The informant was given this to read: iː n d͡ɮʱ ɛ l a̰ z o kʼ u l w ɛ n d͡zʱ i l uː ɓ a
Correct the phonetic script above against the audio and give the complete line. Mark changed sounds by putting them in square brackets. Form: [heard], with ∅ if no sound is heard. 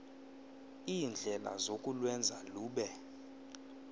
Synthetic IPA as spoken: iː n d͡ɮʱ ɛ l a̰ z o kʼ u l w ɛ n d͡zʱ [a] l uː ɓ [ɛ]